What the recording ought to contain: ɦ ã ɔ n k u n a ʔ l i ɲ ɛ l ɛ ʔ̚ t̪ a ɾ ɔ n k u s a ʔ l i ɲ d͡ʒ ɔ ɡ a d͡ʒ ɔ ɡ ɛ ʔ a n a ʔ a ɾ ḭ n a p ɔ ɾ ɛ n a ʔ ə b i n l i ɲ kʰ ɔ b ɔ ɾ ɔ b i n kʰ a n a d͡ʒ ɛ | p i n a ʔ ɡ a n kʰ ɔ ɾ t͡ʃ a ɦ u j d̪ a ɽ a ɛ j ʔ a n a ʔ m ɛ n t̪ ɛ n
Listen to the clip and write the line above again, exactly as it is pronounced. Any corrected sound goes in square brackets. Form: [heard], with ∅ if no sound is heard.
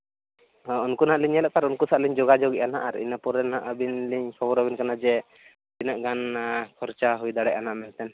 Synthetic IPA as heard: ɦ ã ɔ n k u n a ʔ l i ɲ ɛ l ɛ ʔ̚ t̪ a ɾ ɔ n k u s a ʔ l i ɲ d͡ʒ ɔ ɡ a d͡ʒ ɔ ɡ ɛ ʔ a n a ʔ a ɾ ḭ n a p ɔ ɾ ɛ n a ʔ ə b i n l i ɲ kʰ ɔ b ɔ ɾ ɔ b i n [k] a n a d͡ʒ ɛ | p i n a ʔ ɡ a n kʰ ɔ ɾ t͡ʃ a ɦ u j d̪ a ɽ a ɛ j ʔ a n a ʔ m ɛ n t̪ ɛ n